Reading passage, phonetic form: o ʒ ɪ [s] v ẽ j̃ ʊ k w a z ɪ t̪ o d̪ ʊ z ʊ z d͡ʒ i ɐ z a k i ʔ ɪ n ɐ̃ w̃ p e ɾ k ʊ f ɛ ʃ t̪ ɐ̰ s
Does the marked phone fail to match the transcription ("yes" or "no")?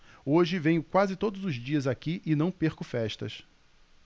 yes